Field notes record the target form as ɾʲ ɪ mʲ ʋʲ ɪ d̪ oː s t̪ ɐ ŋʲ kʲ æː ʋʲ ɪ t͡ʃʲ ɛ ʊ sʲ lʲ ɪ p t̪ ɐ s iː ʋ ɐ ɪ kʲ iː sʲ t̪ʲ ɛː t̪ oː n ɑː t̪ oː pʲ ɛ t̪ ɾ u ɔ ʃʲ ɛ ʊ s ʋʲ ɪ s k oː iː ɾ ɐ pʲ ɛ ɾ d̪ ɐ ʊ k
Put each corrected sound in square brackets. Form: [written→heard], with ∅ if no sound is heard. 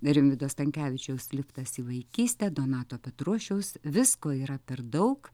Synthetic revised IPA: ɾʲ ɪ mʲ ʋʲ ɪ d̪ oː s t̪ ɐ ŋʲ kʲ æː ʋʲ ɪ t͡ʃʲ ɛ ʊ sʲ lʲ ɪ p t̪ ɐ s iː ʋ ɐ ɪ kʲ iː sʲ t̪ʲ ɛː [t̪→d̪] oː n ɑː t̪ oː pʲ ɛ t̪ ɾ u ɔ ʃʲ ɛ ʊ s ʋʲ ɪ s k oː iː ɾ ɐ pʲ ɛ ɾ d̪ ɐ ʊ k